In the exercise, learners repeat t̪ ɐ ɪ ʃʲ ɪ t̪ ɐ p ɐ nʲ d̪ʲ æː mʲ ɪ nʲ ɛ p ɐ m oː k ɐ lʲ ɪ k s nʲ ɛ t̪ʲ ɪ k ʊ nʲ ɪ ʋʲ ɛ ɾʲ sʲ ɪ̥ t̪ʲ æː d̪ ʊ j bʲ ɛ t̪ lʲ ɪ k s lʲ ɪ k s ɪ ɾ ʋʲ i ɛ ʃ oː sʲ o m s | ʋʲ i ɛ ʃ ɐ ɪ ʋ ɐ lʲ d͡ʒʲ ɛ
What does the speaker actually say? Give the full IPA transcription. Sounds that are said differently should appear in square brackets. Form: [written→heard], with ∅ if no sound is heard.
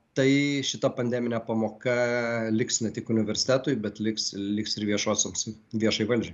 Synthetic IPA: t̪ ɐ ɪ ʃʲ ɪ t̪ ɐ p ɐ nʲ d̪ʲ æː mʲ ɪ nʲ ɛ p ɐ m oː k ɐ lʲ ɪ k s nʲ ɛ t̪ʲ ɪ k ʊ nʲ ɪ ʋʲ ɛ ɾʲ sʲ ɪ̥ t̪ʲ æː [d̪→t̪] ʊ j bʲ ɛ t̪ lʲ ɪ k s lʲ ɪ k s ɪ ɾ ʋʲ i ɛ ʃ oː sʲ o m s | ʋʲ i ɛ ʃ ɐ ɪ ʋ ɐ lʲ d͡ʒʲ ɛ